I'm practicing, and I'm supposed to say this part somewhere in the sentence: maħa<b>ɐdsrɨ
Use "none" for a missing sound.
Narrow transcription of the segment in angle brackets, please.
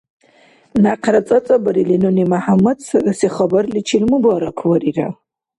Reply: m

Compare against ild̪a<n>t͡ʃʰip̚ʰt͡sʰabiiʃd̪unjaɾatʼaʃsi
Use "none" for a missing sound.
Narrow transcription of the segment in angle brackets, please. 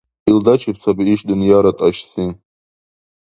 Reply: none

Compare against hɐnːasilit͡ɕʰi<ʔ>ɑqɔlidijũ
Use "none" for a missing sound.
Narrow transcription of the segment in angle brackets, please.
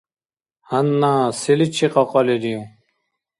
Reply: q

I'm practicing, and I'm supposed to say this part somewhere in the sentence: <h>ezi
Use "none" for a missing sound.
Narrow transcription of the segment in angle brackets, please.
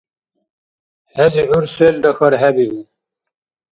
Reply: h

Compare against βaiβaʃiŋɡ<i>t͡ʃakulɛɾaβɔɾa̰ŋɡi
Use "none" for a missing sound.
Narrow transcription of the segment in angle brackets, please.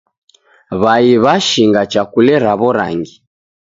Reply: a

